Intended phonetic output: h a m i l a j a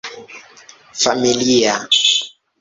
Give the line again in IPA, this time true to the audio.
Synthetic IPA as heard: f a m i l i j a

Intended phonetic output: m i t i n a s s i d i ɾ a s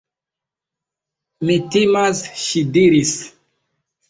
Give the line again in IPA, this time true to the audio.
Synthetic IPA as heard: m i t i m a s ʃ i d i ɾ i s

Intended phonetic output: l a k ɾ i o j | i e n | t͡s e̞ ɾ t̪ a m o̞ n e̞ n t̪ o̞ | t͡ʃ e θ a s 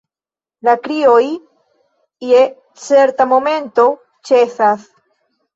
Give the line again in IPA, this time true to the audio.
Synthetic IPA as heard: l a k ɾ i o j | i e | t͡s e̞ ɾ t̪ a m o̞ m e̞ n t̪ o̞ | t͡ʃ e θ a s

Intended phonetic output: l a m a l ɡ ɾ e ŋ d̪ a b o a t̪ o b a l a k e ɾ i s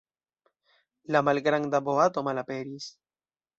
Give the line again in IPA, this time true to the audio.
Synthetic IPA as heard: l a m a l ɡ ɾ a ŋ d̪ a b o a t̪ o m a l a p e ɾ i s

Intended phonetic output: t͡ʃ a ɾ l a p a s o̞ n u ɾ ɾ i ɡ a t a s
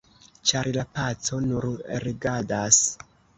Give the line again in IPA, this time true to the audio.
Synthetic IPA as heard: t͡ʃ a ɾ l a p a t͡s o̞ n u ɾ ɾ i ɡ a d a s

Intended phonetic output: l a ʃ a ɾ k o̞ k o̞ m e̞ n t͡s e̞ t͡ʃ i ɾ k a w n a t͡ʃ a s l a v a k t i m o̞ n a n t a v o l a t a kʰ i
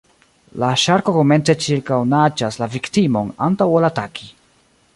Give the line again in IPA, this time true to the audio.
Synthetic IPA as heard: l a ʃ a ɾ k o̞ k o̞ m e̞ n t͡s e̞ t͡ʃ i ɾ k a w n a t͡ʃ a s l a v i k t i m o̞ n a n t a w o l a t a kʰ i

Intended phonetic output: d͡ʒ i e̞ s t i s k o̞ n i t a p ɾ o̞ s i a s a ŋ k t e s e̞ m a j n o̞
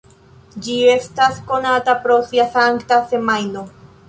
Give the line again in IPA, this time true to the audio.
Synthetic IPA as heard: d͡ʒ i e̞ s t a s k o̞ n a t a p ɾ o̞ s i a s a ŋ k t a s e̞ m a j n o̞

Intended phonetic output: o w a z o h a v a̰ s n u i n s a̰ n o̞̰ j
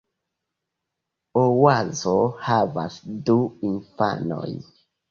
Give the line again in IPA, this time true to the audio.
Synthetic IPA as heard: o w a z o h a v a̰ s d u i n f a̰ n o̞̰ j

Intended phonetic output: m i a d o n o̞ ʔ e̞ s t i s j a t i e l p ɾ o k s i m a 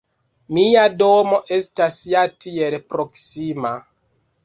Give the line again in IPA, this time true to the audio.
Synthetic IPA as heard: m i a d o m o̞ ʔ e̞ s t a s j a t i e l p ɾ o k s i m a

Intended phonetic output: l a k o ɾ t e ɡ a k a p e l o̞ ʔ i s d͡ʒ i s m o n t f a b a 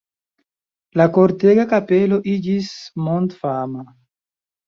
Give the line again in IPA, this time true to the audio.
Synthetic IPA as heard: l a k o ɾ t e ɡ a k a p e l o̞ ʔ i d͡ʒ i s m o n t f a m a

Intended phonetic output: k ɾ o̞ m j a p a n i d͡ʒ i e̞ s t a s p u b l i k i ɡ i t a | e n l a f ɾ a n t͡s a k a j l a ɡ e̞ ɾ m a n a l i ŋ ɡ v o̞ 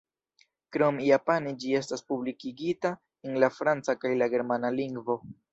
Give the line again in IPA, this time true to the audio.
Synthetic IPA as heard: k ɾ o̞ m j a p a n i d͡ʒ i e̞ s t a s p u b l i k i ɡ i t a | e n l a f ɾ a n t͡s a k a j l a ɡ e̞ ɾ m a n a l i ŋ ɡ v o̞

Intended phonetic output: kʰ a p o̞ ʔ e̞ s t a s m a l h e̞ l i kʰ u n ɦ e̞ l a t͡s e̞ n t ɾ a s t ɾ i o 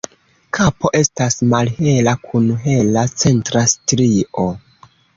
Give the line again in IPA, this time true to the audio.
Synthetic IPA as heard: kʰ a p o̞ ʔ e̞ s t a s m a l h e̞ l a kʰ u n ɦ e̞ l a t͡s e̞ n t ɾ a s t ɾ i o

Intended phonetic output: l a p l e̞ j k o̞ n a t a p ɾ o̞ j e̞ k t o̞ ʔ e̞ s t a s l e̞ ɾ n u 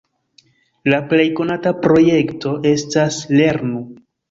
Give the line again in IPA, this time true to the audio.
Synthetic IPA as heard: l a p l e̞ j k o̞ n a t a p ɾ o̞ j e̞ k t o̞ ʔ e̞ s t a s l e̞ ɾ n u

